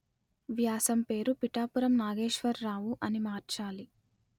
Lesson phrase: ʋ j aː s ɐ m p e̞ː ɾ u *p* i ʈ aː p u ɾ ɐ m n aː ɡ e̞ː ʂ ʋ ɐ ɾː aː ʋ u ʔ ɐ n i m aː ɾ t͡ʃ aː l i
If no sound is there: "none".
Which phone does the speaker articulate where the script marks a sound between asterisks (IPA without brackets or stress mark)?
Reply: p